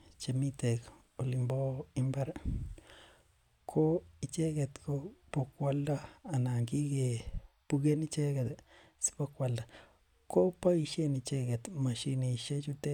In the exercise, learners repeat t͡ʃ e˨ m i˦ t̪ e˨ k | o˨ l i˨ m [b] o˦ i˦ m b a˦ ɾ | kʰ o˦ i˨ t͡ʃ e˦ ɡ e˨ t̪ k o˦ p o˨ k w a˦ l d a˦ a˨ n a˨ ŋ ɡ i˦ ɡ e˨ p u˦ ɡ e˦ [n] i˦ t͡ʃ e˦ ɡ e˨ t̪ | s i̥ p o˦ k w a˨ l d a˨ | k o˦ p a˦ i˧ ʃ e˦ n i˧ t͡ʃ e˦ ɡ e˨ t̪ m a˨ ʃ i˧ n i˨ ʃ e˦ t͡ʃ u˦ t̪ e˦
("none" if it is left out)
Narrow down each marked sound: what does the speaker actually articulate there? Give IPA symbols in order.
b, n

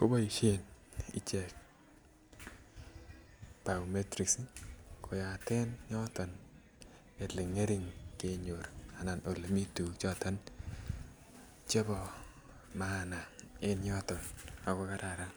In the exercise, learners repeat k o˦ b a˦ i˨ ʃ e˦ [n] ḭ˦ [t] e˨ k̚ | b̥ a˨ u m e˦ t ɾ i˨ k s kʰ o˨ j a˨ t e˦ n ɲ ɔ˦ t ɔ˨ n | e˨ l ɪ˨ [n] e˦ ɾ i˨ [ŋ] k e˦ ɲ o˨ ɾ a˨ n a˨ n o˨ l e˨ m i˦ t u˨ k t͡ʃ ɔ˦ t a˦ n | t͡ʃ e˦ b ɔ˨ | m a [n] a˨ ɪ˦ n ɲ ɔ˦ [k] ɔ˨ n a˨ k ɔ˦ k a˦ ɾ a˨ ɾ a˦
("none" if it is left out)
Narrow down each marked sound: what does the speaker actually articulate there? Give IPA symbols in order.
n, t͡ʃ, ŋ, ŋ, n, t

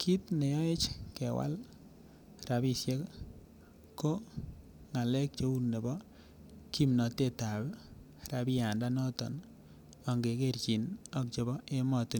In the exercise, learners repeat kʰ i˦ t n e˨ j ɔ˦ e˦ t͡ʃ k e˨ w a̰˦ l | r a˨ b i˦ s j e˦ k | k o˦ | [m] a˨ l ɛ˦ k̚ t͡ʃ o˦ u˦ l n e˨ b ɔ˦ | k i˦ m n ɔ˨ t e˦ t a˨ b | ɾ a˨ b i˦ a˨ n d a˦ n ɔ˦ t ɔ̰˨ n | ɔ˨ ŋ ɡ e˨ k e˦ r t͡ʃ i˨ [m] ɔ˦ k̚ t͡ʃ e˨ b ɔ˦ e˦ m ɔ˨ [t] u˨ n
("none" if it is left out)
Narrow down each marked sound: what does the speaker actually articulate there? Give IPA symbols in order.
ŋ, n, t

